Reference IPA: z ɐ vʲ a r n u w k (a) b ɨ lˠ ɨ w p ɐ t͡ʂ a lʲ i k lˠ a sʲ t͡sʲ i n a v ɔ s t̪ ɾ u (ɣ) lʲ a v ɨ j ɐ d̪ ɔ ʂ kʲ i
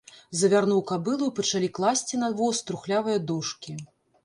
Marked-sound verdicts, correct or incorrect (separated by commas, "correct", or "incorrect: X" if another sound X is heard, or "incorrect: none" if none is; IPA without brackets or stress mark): correct, incorrect: x